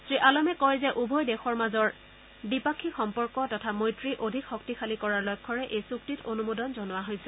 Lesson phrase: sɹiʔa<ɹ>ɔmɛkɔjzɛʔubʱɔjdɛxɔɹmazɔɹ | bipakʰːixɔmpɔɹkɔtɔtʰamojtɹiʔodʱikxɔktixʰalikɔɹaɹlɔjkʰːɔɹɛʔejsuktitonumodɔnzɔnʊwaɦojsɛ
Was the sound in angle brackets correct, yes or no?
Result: no